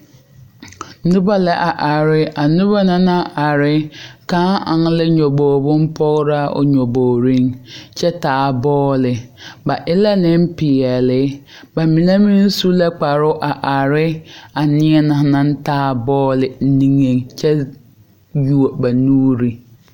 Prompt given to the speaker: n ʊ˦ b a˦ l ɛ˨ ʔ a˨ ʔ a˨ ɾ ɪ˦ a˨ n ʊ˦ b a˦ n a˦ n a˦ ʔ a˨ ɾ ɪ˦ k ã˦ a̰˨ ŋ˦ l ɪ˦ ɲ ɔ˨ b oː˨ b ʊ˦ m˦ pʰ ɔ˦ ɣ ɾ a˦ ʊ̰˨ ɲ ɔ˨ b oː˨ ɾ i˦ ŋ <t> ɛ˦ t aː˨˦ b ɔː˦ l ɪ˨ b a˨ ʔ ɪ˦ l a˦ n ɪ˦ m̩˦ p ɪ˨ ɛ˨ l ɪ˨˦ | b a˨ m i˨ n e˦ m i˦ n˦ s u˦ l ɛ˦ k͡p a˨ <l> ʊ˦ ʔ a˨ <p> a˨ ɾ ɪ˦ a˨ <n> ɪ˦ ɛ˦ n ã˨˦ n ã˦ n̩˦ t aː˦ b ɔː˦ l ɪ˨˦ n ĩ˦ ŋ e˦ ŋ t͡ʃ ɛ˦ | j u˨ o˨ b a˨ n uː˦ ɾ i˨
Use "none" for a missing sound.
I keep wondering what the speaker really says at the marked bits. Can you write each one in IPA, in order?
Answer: t͡ʃ, ɾ, ʔ, n

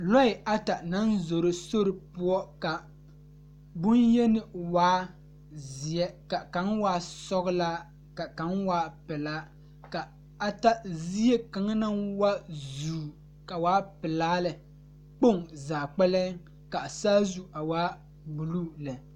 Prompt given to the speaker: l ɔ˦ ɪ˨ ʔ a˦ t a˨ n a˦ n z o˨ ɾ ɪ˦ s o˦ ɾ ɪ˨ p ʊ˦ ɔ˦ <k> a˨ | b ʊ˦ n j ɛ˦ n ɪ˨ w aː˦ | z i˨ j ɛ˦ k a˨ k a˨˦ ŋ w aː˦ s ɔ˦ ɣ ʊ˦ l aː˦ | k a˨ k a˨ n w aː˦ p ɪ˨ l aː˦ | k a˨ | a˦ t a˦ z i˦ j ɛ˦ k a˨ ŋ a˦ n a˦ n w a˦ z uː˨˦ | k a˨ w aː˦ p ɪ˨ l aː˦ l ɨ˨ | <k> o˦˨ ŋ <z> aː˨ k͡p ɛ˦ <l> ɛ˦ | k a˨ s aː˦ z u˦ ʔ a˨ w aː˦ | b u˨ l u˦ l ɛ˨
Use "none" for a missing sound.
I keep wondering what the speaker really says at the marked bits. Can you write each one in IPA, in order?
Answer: k, k͡p, z, l

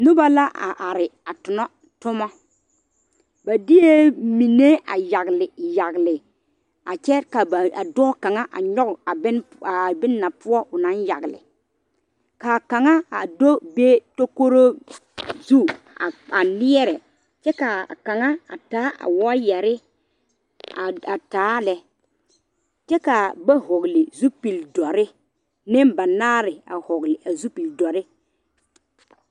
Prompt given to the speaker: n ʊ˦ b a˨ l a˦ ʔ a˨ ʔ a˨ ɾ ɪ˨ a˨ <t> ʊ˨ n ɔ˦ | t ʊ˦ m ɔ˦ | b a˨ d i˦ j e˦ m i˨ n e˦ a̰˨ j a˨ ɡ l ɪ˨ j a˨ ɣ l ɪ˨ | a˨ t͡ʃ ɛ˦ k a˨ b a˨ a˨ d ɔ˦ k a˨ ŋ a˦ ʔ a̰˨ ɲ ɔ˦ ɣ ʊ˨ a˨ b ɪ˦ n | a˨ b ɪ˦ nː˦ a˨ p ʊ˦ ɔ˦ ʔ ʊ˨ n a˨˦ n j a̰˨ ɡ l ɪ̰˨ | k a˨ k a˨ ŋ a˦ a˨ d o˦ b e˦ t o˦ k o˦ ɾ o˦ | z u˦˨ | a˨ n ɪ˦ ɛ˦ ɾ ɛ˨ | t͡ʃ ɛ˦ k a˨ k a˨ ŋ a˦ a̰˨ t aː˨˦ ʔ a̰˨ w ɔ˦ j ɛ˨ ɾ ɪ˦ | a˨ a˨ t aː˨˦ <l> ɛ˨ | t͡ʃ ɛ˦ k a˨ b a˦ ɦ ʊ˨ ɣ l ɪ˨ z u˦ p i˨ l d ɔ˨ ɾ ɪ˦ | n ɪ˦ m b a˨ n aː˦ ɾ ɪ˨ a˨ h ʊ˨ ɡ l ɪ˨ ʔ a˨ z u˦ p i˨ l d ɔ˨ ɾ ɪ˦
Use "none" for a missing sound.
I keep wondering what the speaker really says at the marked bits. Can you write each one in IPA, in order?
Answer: t, l

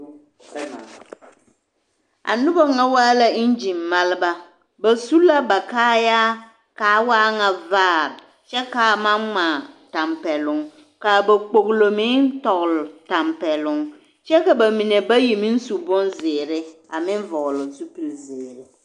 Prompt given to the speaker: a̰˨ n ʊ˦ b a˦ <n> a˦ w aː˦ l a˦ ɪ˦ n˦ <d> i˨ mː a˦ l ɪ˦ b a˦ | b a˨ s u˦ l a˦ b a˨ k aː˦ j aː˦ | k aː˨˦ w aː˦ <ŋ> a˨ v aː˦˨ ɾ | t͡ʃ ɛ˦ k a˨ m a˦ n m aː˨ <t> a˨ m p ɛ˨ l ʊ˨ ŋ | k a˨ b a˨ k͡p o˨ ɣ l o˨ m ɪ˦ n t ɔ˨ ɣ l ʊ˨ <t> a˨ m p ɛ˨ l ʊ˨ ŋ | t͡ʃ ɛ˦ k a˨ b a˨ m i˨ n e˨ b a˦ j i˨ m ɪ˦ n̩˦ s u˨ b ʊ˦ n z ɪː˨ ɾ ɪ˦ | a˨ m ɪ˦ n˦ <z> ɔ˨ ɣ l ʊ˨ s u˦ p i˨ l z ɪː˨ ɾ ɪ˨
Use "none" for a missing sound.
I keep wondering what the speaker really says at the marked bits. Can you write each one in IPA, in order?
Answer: ŋ, d͡ʒ, ŋ, t, t, v

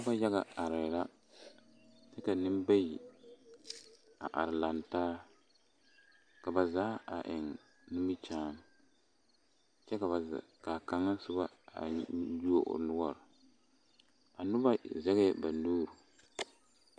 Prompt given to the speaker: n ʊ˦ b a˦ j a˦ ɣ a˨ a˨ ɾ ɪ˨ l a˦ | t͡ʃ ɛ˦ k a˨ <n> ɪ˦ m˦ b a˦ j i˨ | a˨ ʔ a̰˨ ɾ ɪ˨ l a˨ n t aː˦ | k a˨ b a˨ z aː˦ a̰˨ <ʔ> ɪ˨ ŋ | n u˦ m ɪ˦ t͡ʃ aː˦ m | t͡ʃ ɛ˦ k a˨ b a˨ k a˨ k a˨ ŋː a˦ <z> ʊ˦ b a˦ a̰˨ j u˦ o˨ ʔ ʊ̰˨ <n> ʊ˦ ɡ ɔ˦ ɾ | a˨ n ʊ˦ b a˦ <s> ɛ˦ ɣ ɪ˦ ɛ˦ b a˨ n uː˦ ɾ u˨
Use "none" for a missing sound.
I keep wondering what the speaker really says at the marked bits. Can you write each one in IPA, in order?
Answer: n, ʔ, s, n, z

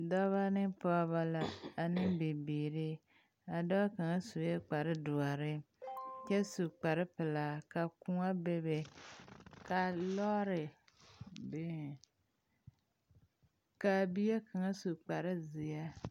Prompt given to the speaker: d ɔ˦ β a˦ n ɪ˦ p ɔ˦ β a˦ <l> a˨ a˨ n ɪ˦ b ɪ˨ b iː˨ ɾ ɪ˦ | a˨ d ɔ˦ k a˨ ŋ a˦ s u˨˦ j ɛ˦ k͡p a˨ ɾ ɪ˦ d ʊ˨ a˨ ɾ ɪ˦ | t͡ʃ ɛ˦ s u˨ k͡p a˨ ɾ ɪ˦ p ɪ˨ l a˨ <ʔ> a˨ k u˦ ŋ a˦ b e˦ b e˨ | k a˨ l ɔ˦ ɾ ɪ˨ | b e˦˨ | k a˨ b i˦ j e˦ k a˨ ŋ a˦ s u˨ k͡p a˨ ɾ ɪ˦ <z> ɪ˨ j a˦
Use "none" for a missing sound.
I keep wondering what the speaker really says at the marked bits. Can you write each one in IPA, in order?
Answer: l, k, z

